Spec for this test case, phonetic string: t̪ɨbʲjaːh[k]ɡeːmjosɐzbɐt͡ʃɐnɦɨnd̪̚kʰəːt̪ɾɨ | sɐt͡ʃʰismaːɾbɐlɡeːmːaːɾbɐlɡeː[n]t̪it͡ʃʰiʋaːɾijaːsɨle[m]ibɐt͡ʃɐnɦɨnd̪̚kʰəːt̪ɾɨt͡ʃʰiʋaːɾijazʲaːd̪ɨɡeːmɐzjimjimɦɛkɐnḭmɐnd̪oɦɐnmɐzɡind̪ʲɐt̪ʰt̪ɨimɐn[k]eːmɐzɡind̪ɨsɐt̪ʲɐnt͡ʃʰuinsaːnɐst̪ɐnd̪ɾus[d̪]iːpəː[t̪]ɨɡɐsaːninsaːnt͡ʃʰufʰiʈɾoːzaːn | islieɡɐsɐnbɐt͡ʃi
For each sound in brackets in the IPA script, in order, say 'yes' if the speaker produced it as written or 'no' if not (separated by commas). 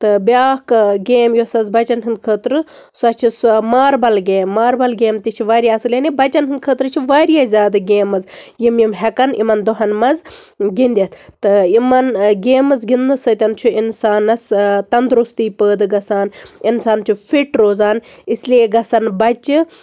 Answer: yes, no, no, no, no, no